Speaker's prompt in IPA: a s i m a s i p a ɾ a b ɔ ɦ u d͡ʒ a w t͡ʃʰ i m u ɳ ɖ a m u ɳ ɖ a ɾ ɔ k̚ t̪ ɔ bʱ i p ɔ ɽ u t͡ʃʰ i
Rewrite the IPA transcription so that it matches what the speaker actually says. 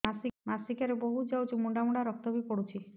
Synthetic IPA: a s i m a s i k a ɾ e b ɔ ɦ u d͡ʒ a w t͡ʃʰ i m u ɳ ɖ a m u ɳ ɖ a ɾ ɔ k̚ t̪ ɔ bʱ i p ɔ ɽ u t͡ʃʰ i